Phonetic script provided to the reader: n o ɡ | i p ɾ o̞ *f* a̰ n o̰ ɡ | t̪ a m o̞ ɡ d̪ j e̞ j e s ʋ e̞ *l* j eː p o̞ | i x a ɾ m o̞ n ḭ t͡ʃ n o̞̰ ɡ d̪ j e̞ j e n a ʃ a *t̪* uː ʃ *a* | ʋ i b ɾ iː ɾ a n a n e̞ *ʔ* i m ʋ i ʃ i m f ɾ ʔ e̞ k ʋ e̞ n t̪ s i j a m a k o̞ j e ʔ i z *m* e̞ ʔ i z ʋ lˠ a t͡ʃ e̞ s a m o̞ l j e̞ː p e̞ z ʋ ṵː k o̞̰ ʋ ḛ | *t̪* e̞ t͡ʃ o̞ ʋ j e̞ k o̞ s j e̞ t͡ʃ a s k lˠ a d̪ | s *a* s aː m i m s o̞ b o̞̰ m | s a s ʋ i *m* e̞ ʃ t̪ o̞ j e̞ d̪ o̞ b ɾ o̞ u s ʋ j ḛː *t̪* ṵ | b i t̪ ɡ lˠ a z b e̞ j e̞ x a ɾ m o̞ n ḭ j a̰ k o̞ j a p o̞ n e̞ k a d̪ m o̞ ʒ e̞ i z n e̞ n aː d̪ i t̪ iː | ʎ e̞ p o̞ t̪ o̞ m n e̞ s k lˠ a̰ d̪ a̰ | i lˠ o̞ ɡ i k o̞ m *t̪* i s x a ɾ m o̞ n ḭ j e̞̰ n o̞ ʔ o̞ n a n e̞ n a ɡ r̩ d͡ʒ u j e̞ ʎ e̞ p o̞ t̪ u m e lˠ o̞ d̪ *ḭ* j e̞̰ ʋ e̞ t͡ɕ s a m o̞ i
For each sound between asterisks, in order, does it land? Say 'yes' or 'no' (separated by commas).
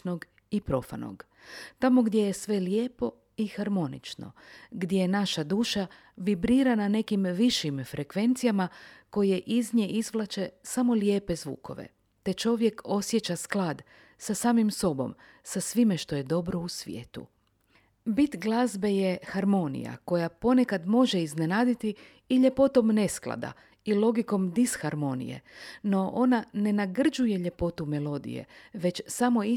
yes, yes, no, yes, no, no, yes, yes, yes, yes, no, yes